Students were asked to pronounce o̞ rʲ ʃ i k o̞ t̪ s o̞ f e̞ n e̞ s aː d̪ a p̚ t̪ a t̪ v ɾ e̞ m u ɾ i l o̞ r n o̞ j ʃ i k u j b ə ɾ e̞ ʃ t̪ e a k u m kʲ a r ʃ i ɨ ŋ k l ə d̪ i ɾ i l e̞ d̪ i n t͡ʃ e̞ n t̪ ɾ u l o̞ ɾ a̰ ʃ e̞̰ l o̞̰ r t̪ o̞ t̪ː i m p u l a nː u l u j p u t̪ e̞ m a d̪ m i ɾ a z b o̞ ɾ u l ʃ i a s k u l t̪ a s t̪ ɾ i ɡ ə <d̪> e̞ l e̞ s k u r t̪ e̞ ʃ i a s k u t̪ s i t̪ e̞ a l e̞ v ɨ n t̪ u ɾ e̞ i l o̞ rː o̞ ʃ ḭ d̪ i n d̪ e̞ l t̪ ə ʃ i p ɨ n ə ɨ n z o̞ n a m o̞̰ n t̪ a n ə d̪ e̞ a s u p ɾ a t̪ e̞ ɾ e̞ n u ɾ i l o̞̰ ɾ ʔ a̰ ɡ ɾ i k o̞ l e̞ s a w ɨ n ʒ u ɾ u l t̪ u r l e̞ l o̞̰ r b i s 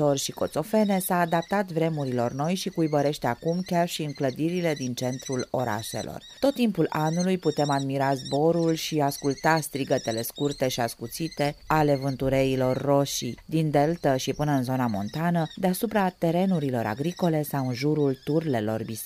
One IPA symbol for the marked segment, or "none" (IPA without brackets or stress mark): t̪